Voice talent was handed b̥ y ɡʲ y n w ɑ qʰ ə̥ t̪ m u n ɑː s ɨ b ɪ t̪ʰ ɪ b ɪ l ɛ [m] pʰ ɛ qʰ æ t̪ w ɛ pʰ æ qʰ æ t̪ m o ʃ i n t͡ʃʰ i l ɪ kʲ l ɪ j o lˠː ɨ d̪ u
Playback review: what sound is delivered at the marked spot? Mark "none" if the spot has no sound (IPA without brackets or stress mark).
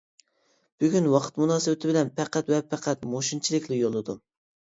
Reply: n